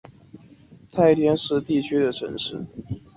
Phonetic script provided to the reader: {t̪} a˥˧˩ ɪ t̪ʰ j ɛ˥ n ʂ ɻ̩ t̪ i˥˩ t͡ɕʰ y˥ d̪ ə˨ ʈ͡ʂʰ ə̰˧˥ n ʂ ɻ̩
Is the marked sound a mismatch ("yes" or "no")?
yes